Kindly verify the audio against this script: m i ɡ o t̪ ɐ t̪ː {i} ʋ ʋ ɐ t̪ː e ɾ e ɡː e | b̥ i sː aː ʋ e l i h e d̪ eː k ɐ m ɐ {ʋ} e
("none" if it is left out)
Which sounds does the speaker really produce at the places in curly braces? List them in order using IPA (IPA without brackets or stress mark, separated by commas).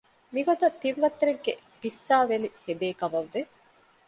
i, ʋː